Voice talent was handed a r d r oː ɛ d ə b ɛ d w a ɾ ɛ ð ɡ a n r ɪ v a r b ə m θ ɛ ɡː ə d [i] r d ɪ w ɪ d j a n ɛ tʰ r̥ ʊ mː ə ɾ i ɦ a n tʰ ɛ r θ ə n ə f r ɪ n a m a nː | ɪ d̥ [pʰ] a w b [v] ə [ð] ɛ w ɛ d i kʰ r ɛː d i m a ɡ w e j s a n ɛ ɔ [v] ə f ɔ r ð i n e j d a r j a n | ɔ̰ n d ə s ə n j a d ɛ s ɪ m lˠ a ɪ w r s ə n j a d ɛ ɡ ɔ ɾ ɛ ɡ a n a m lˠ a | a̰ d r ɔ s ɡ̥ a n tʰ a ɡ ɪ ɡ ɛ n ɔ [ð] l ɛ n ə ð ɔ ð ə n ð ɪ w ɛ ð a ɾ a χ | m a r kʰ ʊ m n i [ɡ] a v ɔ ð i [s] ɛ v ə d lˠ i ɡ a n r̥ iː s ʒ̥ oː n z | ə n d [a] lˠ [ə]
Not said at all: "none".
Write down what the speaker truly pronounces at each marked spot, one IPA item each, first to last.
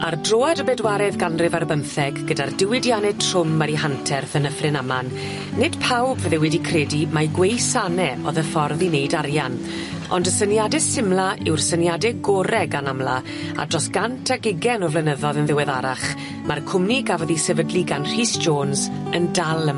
a, pʰ, v, ð, ð, v, ɡ, s, a, ə

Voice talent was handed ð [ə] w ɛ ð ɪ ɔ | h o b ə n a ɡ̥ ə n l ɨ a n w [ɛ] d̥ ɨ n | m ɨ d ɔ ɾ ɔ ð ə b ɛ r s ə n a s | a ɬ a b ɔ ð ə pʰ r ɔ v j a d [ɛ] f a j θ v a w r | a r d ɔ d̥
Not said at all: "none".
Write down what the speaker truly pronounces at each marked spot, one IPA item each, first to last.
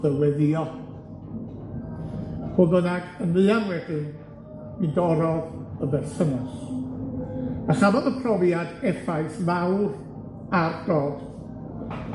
ə, ɛ, ɛ

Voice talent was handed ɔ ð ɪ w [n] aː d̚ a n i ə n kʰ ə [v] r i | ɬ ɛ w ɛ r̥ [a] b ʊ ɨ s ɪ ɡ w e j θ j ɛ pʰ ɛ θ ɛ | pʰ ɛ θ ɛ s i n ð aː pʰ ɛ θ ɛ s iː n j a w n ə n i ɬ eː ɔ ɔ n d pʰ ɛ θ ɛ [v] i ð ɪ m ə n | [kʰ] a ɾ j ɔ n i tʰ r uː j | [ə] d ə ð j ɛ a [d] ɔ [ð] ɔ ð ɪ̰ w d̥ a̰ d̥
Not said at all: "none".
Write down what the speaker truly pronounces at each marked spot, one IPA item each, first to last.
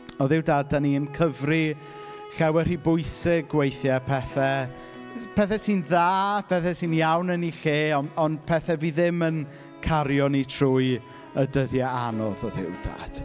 d, v, i, v, kʰ, ə, n, ð

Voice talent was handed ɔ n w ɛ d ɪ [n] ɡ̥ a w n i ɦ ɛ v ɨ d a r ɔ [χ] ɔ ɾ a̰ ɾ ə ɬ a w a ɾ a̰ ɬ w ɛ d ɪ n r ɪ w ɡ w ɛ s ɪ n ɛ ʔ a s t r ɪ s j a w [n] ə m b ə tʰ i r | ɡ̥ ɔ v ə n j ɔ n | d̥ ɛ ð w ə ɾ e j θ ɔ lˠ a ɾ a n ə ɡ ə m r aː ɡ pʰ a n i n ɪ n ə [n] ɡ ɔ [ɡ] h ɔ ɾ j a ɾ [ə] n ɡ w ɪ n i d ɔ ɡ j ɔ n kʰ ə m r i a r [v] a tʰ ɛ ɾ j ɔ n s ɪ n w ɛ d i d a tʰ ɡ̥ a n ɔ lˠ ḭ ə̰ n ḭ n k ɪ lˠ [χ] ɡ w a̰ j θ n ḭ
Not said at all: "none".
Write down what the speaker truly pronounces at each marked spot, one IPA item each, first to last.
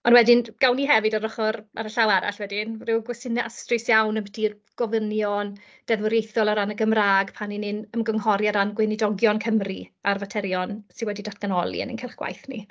n, χ, n, m, ŋ, a, v, χ

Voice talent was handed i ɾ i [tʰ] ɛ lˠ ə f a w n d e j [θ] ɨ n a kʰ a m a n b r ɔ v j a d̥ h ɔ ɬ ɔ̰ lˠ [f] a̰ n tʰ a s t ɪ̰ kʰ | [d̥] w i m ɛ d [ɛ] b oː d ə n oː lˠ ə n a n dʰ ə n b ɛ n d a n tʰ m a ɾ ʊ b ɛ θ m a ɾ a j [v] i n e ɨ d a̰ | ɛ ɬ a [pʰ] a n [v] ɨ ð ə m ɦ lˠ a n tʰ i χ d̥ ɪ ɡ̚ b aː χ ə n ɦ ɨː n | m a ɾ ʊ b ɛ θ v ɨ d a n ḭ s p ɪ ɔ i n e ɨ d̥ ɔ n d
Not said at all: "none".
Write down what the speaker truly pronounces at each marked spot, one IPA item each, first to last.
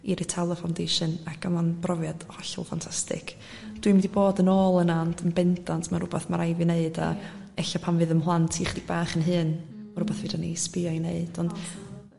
tʰ, ʃ, f, d̥, i, v, pʰ, v

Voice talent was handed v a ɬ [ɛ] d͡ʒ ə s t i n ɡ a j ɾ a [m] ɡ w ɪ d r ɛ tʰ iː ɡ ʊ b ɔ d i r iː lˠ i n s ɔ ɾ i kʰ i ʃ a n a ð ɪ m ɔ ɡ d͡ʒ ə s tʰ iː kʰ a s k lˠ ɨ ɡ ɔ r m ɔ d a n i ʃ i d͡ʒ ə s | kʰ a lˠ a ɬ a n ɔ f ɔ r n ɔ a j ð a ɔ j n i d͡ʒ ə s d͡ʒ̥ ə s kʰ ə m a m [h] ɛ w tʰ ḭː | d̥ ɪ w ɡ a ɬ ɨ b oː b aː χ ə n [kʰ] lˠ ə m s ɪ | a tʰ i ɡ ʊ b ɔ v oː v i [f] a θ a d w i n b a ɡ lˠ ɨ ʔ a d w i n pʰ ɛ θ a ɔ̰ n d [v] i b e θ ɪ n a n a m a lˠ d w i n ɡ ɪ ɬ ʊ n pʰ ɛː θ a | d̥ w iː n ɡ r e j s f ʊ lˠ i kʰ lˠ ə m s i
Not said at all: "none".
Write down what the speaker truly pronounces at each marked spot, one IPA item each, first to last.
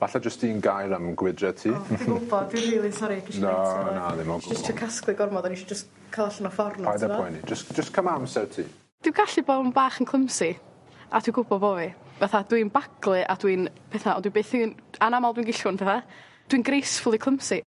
a, m, s, kʰ, v, w

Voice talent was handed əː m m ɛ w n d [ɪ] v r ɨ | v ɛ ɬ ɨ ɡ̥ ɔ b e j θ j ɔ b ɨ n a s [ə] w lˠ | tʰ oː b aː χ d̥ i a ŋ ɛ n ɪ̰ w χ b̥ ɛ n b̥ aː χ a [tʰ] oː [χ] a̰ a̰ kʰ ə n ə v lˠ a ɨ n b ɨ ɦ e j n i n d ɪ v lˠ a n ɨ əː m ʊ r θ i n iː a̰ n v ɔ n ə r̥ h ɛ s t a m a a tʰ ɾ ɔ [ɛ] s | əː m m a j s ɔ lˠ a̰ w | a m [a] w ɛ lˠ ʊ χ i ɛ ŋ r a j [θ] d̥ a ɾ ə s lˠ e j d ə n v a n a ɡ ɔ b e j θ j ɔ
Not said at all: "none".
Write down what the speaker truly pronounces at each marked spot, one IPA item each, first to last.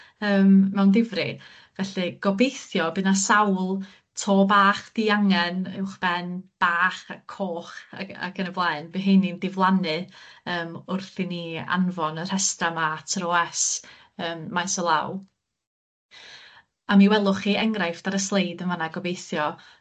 ɪ, a, kʰ, χ, ɛ, i, f

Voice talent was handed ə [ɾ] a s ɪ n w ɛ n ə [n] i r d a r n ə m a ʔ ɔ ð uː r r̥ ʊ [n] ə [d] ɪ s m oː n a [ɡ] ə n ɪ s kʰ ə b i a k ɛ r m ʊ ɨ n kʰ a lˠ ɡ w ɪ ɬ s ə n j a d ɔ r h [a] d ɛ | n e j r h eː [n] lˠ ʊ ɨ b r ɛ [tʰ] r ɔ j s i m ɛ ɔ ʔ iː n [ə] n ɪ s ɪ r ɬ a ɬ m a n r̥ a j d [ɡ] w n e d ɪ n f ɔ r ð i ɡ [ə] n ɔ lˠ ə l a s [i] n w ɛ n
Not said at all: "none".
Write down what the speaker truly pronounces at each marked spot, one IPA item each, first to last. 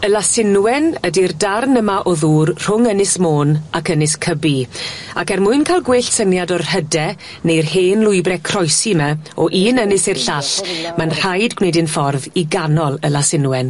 l, d, ŋ, n, k, ə, n, kʰ, ə, ɡ, a, ɪ

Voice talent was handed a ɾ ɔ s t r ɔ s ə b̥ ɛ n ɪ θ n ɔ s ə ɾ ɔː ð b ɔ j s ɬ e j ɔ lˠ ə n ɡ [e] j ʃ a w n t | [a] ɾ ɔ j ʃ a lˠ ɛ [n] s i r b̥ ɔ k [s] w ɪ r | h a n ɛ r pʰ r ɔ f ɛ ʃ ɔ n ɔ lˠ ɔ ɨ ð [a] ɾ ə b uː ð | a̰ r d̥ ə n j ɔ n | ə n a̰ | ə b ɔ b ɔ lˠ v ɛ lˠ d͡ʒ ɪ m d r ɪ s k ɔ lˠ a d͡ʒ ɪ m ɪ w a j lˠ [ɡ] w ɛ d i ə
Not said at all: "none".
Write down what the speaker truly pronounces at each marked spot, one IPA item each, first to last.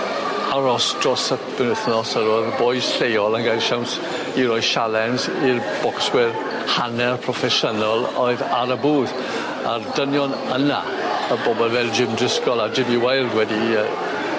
a, i, n, s, a, d

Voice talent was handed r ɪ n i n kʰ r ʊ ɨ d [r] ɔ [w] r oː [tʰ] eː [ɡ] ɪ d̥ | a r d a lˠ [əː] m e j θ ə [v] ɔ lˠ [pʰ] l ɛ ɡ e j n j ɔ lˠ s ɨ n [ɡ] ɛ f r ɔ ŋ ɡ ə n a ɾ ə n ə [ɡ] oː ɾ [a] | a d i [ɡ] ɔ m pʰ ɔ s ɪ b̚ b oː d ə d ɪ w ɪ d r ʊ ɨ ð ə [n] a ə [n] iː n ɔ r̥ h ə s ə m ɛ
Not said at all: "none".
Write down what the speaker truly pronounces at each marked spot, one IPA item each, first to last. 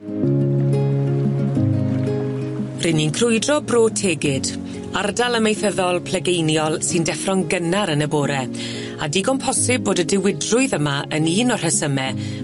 r, b, tʰ, ɡ, ə, ð, pʰ, d, b, ɛ, ɡ, m, n

